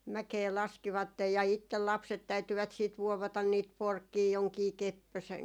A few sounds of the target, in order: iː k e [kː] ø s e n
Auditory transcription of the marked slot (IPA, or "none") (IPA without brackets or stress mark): pː